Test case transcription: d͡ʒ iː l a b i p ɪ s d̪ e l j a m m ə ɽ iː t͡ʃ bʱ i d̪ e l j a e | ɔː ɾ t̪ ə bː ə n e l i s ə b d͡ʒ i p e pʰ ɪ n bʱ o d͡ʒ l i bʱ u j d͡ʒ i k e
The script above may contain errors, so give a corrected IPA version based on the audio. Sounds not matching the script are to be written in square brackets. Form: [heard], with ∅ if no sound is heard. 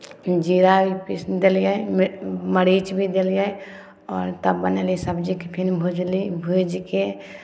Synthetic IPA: d͡ʒ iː [ɾ] a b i p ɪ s d̪ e l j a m m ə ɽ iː t͡ʃ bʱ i d̪ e l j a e | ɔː ɾ t̪ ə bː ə n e l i s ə b d͡ʒ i [k] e pʰ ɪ n bʱ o d͡ʒ l i bʱ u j d͡ʒ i k e